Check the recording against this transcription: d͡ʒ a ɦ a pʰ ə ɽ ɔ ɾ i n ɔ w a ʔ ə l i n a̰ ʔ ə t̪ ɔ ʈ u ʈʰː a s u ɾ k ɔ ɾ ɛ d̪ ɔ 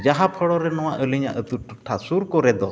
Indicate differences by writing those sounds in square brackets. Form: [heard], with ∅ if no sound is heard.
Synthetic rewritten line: d͡ʒ a ɦ a pʰ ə ɽ ɔ ɾ [ɛ] n ɔ w a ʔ ə l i [ɲ] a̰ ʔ ə t̪ [u] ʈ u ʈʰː a s u ɾ k ɔ ɾ ɛ d̪ ɔ